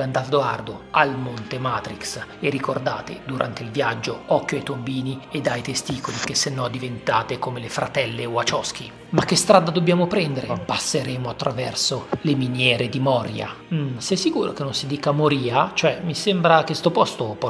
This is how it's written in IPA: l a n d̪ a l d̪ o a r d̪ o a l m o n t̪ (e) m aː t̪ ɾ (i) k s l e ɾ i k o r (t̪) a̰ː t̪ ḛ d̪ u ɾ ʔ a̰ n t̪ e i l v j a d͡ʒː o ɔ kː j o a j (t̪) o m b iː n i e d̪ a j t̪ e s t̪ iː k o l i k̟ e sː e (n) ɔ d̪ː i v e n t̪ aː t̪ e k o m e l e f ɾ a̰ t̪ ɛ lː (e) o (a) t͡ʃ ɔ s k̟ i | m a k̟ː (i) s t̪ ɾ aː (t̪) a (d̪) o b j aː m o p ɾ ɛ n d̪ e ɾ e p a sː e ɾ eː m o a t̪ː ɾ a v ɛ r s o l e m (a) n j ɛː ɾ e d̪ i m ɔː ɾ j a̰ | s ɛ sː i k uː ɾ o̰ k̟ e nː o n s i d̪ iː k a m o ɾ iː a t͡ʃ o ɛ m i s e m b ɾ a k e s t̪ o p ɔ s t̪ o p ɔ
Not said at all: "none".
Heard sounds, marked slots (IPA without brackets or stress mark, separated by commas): e, i, d̪, t̪, nː, e, a, e, d̪, d̪, i